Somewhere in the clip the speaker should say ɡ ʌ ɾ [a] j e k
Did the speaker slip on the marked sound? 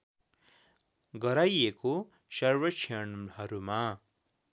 no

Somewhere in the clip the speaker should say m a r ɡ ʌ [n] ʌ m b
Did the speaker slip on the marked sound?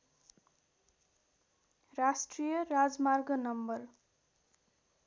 no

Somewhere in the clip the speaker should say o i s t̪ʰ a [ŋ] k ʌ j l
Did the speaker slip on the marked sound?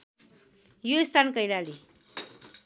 yes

